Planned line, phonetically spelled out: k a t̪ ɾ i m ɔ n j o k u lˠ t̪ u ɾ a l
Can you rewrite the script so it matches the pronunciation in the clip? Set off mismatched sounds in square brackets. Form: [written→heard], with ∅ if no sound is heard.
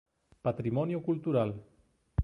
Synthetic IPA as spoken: [k→p] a t̪ ɾ i m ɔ n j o k u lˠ t̪ u ɾ a l